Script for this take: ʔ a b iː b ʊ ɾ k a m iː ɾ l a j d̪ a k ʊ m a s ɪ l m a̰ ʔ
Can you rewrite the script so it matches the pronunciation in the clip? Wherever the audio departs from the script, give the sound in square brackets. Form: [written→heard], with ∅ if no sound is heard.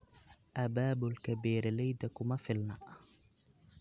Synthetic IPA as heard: ʔ a b [iː→aː] b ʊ [ɾ→l] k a [m→b] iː ɾ l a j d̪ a k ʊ m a [s→f] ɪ l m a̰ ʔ